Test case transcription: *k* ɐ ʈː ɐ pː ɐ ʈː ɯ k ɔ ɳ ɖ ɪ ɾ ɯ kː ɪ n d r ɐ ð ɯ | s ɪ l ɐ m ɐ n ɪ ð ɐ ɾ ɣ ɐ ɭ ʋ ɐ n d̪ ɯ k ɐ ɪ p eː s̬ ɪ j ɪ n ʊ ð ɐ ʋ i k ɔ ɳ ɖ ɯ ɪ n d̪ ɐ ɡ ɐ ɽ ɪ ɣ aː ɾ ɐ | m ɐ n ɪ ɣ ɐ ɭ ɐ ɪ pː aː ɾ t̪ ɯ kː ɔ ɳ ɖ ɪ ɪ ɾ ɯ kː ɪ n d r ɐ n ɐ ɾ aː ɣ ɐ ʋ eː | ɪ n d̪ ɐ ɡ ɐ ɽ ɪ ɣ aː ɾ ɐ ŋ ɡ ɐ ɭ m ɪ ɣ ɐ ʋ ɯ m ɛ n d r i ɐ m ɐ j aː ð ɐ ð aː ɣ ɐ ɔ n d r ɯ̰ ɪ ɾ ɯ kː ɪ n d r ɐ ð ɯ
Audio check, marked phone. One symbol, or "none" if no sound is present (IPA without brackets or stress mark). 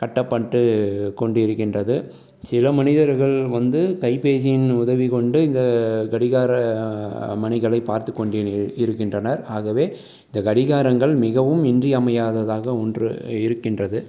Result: k